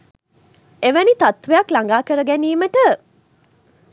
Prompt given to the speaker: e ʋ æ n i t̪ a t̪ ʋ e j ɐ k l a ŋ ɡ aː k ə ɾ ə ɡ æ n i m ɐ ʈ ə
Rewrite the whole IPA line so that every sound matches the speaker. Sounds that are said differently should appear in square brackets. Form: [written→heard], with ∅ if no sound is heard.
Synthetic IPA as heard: e ʋ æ n i t̪ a t̪ ʋ e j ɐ k l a ŋ ɡ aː k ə ɾ ə ɡ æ n [i→iː] m [ɐ→ə] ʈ ə